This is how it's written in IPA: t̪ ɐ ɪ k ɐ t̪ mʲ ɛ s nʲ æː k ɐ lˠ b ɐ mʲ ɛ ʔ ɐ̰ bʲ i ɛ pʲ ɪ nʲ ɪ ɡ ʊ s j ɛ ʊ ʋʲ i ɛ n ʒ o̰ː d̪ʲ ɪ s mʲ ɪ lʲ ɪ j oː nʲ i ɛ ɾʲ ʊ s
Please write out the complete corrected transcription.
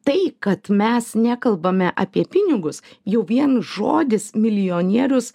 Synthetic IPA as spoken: t̪ ɐ ɪ k ɐ t̪ mʲ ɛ s nʲ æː k ɐ lˠ b ɐ mʲ ɛ ʔ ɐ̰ pʲ i ɛ pʲ ɪ nʲ ɪ ɡ ʊ s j ɛ ʊ ʋʲ i ɛ n ʒ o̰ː d̪ʲ ɪ s mʲ ɪ lʲ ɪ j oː nʲ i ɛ ɾʲ ʊ s

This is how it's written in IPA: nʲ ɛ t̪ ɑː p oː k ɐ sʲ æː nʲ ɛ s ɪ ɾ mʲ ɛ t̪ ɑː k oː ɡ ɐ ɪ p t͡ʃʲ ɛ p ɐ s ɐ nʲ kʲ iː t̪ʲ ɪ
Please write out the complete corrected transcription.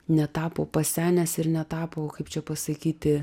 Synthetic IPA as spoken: nʲ ɛ t̪ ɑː p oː p ɐ sʲ æː nʲ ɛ s ɪ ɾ nʲ ɛ t̪ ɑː p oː k ɐ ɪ p t͡ʃʲ ɛ p ɐ s ɐ kʲ iː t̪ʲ ɪ

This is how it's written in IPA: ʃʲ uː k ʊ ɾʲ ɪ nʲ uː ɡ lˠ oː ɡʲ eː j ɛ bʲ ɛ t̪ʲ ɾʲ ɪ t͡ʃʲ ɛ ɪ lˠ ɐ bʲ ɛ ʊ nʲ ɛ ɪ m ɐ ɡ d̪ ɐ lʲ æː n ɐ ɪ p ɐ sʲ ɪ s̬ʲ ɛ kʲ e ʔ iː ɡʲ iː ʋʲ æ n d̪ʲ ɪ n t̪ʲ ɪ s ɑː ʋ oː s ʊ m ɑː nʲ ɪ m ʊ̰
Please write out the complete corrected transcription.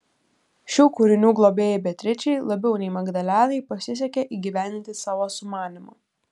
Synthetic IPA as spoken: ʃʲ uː k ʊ ɾʲ ɪ nʲ uː ɡ lˠ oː bʲ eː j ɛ bʲ ɛ t̪ʲ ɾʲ ɪ t͡ʃʲ ɛ ɪ lˠ ɐ bʲ ɛ ʊ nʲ ɛ ɪ m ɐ ɡ d̪ ɐ lʲ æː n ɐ ɪ p ɐ sʲ ɪ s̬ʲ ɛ kʲ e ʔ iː ɡʲ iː ʋʲ æ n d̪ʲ ɪ n t̪ʲ ɪ s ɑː ʋ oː s ʊ m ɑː nʲ ɪ m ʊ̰

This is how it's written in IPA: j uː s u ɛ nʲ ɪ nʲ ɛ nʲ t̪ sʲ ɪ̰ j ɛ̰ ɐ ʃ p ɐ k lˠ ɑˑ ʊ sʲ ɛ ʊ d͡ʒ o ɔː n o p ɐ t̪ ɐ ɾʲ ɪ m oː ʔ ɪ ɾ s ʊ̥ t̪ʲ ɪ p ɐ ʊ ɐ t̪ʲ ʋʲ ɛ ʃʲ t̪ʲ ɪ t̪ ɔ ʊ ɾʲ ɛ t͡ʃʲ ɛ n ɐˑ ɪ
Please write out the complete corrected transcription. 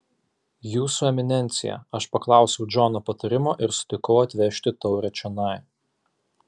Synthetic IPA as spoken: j uː s u ɛ mʲ ɪ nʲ ɛ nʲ t̪ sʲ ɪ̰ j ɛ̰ ɐ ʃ p ɐ k lˠ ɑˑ ʊ sʲ ɛ ʊ d͡ʒ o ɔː n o p ɐ t̪ ɐ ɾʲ ɪ m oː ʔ ɪ ɾ s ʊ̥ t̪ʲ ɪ k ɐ ʊ ɐ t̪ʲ ʋʲ ɛ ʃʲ t̪ʲ ɪ t̪ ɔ ʊ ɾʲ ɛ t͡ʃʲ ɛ n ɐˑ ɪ

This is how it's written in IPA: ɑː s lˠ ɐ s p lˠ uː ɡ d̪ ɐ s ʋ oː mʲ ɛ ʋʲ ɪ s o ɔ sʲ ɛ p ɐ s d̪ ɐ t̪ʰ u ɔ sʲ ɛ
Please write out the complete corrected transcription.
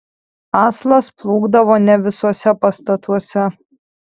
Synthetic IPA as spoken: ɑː s lˠ ɐ s p lˠ uː ɡ d̪ ɐ ʋ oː nʲ ɛ ʋʲ ɪ s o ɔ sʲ ɛ p ɐ s t̪ ɐ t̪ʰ u ɔ sʲ ɛ

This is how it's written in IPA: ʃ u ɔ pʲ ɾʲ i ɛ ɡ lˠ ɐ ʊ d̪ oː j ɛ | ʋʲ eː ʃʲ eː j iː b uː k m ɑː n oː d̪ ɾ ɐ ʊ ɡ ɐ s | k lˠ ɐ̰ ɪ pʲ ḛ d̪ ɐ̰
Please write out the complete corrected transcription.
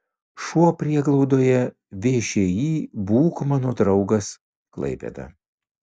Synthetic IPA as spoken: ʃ u ɔ pʲ ɾʲ i ɛ ɡ lˠ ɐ ʊ d̪ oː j ɛ | ʋʲ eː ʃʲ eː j iː b uː k m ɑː n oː d̪ ɾ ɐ ʊ ɡ ɐ s | k lˠ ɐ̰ ɪ pʲ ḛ d̪ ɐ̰

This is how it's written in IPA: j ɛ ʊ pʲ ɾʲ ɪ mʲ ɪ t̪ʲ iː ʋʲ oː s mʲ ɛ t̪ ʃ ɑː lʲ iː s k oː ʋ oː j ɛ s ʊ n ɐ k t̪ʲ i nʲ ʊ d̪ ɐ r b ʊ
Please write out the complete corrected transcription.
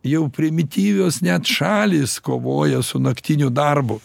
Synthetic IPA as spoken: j ɛ ʊ pʲ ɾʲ ɪ mʲ ɪ t̪ʲ iː ʋʲ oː s nʲ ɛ t̪ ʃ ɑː lʲ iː s k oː ʋ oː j ɛ s ʊ n ɐ k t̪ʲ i nʲ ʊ d̪ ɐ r b ʊ

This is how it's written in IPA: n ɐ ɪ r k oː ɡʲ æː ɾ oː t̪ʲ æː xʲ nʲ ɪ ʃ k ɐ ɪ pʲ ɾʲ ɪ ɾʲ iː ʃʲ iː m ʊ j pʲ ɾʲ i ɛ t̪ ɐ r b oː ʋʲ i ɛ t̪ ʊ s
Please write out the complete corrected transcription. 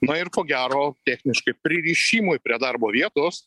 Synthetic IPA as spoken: n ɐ ɪ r k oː ɡʲ æː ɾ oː t̪ʲ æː xʲ nʲ ɪ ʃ k ɐ ɪ pʲ ɾʲ ɪ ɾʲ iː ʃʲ iː m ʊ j pʲ ɾʲ i ɛ d̪ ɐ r b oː ʋʲ i ɛ t̪ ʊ s

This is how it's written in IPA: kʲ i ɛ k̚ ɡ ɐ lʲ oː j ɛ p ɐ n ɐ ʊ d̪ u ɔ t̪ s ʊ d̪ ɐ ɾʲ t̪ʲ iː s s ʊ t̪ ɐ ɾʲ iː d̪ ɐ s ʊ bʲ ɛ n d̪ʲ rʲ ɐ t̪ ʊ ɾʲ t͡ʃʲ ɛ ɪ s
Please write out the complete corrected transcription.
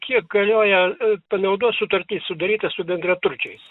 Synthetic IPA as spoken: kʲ i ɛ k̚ ɡ ɐ lʲ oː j ɛ p ɐ n ɐ ʊ d̪ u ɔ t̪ s ʊ t̪ ɐ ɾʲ t̪ʲ iː s s ʊ d̪ ɐ ɾʲ iː t̪ ɐ s ʊ bʲ ɛ n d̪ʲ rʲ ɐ t̪ ʊ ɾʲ t͡ʃʲ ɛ ɪ s

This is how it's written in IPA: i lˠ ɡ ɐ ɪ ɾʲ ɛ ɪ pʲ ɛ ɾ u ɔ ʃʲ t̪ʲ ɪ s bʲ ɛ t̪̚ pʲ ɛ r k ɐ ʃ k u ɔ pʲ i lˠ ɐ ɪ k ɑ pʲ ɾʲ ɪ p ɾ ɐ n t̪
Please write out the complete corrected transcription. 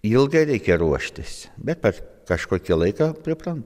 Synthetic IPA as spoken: i lˠ ɡ ɐ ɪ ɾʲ ɛ ɪ kʲ ɛ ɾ u ɔ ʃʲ t̪ʲ ɪ s bʲ ɛ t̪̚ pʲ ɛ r k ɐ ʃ k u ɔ kʲ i lˠ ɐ ɪ k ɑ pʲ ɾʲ ɪ p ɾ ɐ n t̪

